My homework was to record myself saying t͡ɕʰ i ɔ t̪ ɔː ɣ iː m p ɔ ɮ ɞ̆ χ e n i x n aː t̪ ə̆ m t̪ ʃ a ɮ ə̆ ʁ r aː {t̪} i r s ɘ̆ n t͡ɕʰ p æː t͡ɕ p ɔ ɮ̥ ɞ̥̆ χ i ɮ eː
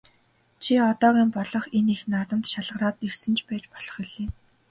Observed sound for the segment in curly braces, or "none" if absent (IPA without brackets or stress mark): t̪